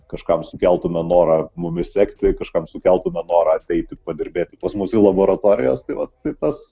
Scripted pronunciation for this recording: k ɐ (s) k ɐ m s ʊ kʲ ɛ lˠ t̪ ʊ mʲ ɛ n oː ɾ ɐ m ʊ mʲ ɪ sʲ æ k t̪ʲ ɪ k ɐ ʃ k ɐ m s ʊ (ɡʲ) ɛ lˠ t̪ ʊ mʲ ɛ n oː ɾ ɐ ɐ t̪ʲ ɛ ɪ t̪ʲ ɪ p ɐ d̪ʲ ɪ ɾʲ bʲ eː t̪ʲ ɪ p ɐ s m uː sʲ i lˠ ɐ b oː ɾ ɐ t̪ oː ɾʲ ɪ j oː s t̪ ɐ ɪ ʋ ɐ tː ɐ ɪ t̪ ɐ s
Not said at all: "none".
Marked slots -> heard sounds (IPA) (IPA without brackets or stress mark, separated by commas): ʃ, kʲ